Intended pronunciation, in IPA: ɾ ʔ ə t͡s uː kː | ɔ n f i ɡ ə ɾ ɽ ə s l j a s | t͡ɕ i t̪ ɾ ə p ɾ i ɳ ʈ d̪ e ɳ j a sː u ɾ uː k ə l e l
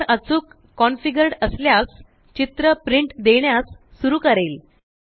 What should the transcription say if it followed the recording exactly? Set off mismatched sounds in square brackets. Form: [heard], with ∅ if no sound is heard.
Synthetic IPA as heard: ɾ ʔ ə t͡s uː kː | ɔ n f i ɡ ə ɾ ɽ ə s l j a s | t͡ɕ i t̪ ɾ ə p ɾ i ɳ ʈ d̪ e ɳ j a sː u ɾ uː k ə [ɾ] e l